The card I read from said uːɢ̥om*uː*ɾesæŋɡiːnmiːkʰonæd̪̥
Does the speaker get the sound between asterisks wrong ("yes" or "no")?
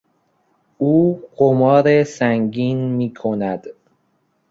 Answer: yes